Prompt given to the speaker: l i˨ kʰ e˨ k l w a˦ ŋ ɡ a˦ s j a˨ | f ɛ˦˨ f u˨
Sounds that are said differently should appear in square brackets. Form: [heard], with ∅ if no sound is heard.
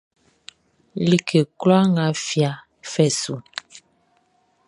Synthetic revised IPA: l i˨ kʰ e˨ k l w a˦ ŋ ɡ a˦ [f] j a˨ | f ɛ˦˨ [s] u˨